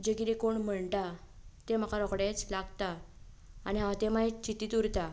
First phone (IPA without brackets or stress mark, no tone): d͡ʑ